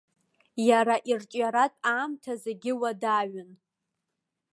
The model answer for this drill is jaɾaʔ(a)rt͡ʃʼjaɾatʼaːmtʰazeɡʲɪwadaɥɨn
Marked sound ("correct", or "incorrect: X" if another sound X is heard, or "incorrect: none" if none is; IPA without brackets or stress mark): incorrect: i